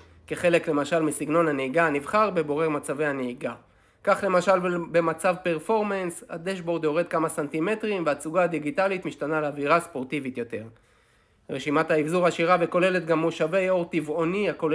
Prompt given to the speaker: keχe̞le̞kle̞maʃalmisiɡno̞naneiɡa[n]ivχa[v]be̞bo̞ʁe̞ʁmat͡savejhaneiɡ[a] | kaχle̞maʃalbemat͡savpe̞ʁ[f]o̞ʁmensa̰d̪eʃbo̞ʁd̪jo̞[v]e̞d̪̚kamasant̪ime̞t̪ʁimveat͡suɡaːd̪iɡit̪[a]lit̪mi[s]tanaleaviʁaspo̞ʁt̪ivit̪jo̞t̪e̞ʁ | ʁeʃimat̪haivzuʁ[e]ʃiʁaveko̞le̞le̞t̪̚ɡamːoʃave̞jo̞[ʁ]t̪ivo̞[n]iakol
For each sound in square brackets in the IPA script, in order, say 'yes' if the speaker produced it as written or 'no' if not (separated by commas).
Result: yes, no, yes, yes, no, yes, no, no, yes, yes